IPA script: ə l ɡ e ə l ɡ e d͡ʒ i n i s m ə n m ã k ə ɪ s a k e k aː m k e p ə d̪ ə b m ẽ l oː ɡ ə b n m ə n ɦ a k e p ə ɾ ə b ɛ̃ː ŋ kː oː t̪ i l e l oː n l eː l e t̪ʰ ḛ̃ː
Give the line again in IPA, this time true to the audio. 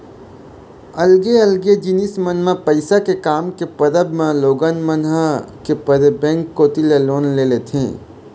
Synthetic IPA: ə l ɡ e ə l ɡ e d͡ʒ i n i s m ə n m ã p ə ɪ s a k e k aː m k e p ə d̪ ə b m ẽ l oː ɡ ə n m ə n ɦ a k e p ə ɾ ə b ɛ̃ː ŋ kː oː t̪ i l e l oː n l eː l e t̪ʰ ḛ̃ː